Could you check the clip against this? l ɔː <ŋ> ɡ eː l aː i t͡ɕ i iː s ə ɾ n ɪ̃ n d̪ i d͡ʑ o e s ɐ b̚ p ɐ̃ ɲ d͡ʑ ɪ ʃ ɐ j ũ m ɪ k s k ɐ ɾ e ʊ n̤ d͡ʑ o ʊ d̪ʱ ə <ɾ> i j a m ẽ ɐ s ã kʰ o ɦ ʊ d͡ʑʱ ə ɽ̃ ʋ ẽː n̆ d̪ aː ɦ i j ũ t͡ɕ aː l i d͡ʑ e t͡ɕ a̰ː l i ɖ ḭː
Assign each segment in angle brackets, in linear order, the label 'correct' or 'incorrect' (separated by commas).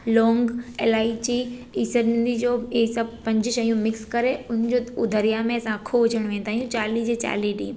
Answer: correct, correct